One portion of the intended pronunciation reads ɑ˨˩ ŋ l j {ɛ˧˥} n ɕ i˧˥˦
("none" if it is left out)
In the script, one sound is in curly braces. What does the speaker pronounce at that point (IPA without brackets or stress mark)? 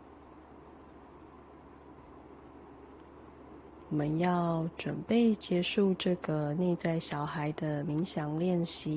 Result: ɛ˥˨